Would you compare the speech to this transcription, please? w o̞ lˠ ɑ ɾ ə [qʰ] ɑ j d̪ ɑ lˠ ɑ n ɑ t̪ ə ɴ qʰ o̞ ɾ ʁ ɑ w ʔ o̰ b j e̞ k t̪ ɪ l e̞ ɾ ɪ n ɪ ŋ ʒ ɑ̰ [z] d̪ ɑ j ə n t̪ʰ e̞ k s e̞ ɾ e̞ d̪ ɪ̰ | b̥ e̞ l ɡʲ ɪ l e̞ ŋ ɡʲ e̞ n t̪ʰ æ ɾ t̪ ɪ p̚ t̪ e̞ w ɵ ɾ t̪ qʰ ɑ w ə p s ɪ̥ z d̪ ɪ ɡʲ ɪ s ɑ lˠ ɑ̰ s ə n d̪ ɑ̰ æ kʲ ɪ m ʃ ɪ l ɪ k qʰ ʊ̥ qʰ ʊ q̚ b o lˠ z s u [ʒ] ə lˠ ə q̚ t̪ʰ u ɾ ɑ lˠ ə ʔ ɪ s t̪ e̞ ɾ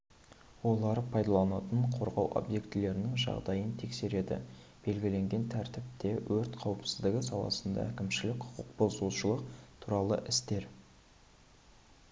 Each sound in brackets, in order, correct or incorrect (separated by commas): incorrect, incorrect, incorrect